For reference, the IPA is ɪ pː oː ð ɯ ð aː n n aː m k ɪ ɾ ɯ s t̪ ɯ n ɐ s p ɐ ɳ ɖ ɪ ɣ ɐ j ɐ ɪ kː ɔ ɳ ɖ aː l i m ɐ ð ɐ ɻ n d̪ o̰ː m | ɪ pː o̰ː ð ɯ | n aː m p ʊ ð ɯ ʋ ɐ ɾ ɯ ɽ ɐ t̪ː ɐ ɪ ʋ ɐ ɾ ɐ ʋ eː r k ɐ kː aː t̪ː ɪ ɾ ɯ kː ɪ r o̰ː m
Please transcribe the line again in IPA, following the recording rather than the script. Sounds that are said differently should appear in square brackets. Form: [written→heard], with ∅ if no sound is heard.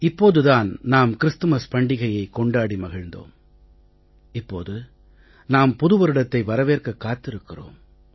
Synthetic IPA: ɪ pː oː ð ɯ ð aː n n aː m k ɪ ɾ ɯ s t̪ ɯ [n→m] ɐ s p ɐ ɳ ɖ ɪ ɣ ɐ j ɐ ɪ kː ɔ ɳ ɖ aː [l→ɽ] i m ɐ [ð→ɣ] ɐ ɻ n d̪ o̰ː m | ɪ pː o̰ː ð ɯ | n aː m p ʊ ð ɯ ʋ ɐ ɾ ɯ ɽ ɐ t̪ː ɐ ɪ ʋ ɐ ɾ ɐ ʋ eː r k ɐ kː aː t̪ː ɪ ɾ ɯ kː ɪ r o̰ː m